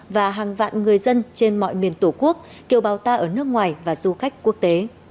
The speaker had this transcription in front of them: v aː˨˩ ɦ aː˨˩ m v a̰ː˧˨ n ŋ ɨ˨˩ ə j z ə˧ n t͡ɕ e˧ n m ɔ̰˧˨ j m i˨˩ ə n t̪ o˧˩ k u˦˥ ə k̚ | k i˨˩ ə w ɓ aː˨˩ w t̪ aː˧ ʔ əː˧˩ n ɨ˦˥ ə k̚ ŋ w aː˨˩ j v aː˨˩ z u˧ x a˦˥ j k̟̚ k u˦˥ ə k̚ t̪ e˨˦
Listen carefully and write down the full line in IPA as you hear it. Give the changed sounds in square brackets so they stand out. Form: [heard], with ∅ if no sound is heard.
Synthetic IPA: v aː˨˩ ɦ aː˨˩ [ŋ] v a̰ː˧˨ n ŋ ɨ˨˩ ə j z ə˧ n t͡ɕ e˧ n m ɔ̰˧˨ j m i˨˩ ə n t̪ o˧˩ k u˦˥ ə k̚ | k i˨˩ ə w ɓ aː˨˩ w t̪ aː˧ ʔ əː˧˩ n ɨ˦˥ ə k̚ ŋ w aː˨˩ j v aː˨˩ z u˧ x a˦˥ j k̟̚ k u˦˥ ə k̚ t̪ e˨˦